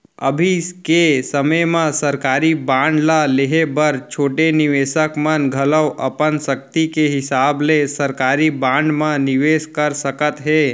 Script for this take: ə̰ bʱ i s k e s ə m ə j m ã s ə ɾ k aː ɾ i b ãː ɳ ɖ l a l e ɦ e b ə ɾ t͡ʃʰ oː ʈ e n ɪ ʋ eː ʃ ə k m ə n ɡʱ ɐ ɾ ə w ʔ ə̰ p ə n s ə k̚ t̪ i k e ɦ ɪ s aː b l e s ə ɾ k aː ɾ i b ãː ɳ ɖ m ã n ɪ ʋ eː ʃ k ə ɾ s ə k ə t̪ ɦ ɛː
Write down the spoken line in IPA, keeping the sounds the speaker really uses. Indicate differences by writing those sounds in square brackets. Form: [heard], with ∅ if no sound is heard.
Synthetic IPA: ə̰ bʱ i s k e s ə m ə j m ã s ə ɾ k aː ɾ i b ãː ɳ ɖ l a l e ɦ e b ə ɾ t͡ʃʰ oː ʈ e n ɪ ʋ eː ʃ ə k m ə n ɡʱ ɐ [l] ə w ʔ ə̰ p ə n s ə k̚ t̪ i k e ɦ ɪ s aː b l e s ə ɾ k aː ɾ i b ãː ɳ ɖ m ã n ɪ ʋ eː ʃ k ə ɾ s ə k ə t̪ ɦ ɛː